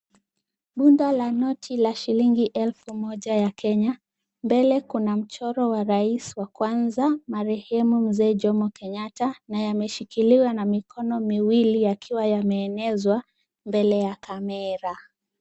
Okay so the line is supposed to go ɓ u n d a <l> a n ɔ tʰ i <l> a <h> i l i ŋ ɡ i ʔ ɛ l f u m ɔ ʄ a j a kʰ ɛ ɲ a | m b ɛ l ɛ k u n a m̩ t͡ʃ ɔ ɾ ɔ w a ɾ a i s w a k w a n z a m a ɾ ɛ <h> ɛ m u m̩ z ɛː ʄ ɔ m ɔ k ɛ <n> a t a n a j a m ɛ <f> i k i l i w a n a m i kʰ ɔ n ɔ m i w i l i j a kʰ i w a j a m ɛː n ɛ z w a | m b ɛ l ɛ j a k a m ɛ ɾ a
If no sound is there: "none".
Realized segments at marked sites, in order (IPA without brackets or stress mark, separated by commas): l, l, ʃ, h, ɲ, ʃ